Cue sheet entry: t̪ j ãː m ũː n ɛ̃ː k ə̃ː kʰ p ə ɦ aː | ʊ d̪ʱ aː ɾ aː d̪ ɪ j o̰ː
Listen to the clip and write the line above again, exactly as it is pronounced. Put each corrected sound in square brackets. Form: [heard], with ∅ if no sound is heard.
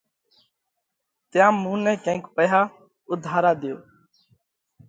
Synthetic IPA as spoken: t̪ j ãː m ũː n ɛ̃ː k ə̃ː [k] p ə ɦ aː | ʊ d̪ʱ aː ɾ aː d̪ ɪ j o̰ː